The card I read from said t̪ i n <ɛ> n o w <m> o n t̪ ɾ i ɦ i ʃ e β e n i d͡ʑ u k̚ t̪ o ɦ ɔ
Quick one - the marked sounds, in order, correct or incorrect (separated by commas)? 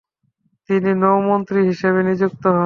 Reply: incorrect, correct